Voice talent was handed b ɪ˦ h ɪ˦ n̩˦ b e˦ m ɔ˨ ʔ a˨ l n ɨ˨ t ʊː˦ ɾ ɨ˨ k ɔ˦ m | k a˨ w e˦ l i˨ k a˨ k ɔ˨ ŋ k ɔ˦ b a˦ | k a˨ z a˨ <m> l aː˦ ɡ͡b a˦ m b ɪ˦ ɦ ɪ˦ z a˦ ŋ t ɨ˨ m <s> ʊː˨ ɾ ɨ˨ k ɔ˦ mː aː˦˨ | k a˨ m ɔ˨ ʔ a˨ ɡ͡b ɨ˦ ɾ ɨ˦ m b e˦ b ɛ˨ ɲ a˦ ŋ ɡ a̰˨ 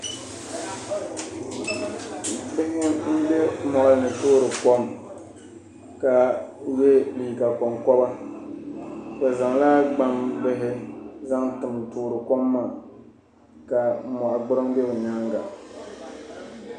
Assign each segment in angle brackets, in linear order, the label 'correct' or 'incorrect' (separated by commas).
incorrect, incorrect